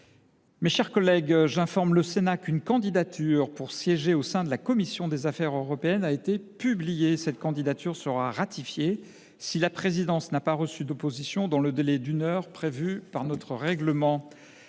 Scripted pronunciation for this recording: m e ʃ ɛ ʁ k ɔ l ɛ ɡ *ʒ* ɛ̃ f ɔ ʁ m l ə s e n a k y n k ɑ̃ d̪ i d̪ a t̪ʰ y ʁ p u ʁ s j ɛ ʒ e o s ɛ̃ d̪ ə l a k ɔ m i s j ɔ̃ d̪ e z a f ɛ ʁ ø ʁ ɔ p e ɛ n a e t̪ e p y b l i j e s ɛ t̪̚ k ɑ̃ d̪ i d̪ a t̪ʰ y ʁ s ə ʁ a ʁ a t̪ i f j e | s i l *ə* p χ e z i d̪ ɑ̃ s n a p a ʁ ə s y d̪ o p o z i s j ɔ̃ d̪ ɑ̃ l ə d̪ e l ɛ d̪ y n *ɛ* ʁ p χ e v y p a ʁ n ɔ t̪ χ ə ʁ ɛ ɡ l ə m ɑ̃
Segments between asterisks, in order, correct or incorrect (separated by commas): correct, incorrect, incorrect